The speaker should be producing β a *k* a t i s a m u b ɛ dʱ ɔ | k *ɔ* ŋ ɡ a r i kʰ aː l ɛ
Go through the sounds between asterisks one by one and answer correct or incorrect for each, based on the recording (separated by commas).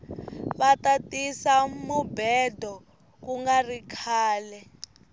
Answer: incorrect, incorrect